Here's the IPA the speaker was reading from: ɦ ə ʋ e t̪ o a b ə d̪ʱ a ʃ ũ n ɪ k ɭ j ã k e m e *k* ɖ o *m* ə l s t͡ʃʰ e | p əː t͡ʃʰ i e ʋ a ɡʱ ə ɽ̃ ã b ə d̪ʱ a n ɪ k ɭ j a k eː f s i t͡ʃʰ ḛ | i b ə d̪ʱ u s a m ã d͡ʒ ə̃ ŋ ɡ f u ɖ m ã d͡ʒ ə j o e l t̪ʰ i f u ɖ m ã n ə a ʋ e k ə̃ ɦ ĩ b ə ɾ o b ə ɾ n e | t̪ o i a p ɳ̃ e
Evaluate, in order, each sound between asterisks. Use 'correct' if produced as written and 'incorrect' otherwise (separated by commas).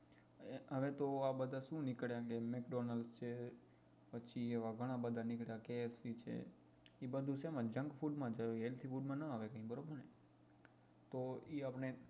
correct, incorrect